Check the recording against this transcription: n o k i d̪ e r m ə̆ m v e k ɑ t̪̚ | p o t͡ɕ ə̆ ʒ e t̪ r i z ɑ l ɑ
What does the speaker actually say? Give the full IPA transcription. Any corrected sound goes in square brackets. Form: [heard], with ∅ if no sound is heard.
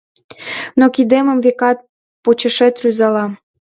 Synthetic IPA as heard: n o k i d̪ e [∅] m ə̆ m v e k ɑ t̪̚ | p o t͡ɕ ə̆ [ʃ] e t̪ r [y] z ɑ l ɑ